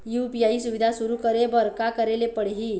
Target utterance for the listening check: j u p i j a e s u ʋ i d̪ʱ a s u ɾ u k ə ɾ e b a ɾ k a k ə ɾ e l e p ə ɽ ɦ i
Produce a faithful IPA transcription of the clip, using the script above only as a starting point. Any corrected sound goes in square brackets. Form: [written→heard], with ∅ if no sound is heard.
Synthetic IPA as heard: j u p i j a [e→i] s u ʋ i d̪ʱ a s u ɾ u k ə ɾ e b [a→ə] ɾ k a k ə ɾ e l e p ə ɽ ɦ i